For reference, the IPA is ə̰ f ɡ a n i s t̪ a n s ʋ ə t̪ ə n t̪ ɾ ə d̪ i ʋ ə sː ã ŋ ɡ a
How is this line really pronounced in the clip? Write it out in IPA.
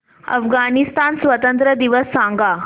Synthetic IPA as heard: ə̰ f ɡ a n i s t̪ a n s ʋ ə t̪ ə n t̪ ɾ ə d̪ i ʋ ə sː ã ŋ ɡ a